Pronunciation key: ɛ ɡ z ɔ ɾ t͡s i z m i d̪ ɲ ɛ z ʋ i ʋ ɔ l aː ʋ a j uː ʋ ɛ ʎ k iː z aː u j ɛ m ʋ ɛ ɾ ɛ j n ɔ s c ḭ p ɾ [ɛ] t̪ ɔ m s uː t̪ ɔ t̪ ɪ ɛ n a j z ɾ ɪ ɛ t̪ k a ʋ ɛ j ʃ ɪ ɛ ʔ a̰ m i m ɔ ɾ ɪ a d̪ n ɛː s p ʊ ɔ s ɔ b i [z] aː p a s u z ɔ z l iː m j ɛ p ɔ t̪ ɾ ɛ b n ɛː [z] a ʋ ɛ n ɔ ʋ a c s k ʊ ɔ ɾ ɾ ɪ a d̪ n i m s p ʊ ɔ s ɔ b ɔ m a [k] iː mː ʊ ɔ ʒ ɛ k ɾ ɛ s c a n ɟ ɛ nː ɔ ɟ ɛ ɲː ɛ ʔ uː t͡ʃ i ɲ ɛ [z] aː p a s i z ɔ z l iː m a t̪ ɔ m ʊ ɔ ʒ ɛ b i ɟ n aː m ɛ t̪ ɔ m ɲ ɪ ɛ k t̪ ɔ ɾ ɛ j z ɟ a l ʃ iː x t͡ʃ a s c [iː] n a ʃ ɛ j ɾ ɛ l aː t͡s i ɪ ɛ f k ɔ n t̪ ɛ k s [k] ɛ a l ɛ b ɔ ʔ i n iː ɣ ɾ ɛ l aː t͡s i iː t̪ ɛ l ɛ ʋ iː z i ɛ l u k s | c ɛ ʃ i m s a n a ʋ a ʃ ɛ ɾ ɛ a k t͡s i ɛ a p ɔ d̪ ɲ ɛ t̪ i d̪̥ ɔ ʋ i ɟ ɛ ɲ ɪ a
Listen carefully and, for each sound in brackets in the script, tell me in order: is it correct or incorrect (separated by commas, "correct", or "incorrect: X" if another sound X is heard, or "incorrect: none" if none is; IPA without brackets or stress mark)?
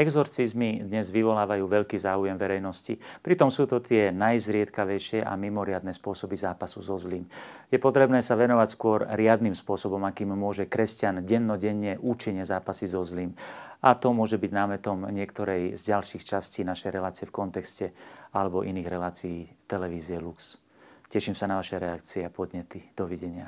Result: incorrect: i, correct, incorrect: s, correct, correct, correct, incorrect: c